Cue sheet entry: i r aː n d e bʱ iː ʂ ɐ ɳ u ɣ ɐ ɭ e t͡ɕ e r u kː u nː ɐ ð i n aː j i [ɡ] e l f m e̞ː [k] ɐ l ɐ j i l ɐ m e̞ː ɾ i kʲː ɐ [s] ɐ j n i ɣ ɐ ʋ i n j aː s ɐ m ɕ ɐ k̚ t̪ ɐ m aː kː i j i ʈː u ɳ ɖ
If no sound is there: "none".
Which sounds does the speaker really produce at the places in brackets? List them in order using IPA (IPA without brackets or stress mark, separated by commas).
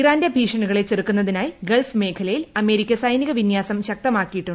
ɡ, kʰ, s